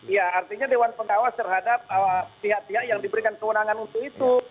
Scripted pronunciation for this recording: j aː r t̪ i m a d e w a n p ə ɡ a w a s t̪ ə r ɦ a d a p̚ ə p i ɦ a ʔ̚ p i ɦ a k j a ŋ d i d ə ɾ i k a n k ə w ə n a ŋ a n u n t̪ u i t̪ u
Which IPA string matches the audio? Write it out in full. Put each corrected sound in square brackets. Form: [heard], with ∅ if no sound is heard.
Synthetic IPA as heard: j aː r t̪ i [ɲ] a d e w a n p ə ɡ a w a s t̪ ə r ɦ a d a p̚ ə p i ɦ a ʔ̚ p i ɦ a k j a ŋ d i [b] ə ɾ i k a n k ə w ə n a ŋ a n u n t̪ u i t̪ u